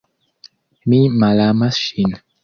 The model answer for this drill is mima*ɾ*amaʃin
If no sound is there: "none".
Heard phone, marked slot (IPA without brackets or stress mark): l